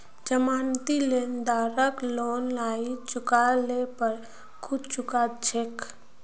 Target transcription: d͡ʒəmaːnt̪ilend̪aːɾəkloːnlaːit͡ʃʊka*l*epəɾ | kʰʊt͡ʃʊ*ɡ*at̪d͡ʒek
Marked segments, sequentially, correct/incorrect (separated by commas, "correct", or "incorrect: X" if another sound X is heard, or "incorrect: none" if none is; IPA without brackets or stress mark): correct, incorrect: k